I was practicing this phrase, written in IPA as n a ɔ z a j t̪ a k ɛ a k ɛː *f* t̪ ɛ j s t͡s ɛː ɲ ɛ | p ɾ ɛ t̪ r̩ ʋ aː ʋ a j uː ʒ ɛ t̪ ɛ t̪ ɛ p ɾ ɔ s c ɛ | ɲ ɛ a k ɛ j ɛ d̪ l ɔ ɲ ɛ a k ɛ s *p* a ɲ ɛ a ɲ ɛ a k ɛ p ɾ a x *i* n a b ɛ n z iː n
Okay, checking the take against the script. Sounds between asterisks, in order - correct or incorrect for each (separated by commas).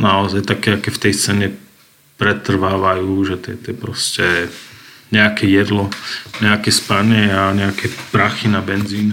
correct, correct, correct